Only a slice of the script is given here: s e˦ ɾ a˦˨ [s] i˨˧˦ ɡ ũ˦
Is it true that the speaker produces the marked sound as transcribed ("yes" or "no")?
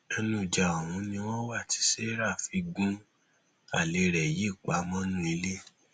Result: no